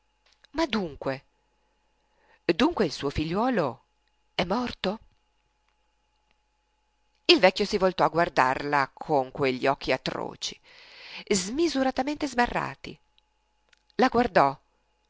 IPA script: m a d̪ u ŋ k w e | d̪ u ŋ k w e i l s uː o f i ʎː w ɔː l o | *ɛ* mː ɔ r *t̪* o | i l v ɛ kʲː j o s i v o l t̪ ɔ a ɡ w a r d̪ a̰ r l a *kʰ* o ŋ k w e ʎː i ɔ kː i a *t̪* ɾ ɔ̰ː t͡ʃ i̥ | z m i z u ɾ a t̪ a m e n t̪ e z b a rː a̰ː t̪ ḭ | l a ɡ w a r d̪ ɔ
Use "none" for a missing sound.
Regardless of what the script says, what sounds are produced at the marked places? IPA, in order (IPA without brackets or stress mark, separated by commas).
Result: ɛ, t̪, kʰ, t̪